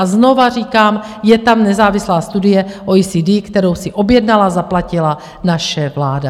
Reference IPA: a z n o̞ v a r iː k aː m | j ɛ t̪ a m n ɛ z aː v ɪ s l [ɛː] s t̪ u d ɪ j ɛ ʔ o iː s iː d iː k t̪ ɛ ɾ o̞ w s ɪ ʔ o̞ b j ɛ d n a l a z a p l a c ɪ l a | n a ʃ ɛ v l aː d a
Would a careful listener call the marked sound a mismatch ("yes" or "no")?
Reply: yes